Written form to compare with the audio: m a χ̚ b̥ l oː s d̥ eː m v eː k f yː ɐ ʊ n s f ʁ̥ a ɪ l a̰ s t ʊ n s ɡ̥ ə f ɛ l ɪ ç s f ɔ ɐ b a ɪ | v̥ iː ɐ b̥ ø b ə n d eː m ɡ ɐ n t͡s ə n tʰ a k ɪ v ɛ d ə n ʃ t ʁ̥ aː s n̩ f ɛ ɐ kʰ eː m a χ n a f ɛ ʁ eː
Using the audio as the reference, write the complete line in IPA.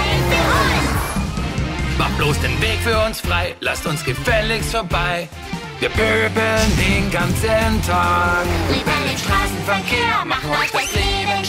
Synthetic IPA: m a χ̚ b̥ l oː s d̥ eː n v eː k f yː ɐ ʊ n s f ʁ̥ a ɪ l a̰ s t ʊ n s ɡ̥ ə f ɛ l ɪ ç s f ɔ ɐ b a ɪ | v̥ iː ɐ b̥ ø b ə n d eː n ɡ a n t͡s ə n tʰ a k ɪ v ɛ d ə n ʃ t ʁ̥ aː s n̩ f ɛ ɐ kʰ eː m a χ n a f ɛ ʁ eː